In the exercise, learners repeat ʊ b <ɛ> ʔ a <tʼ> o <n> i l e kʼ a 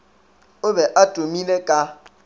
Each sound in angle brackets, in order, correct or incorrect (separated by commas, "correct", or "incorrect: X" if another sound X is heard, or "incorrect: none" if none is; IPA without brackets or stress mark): correct, correct, incorrect: m